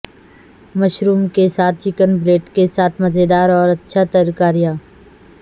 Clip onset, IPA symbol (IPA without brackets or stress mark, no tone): m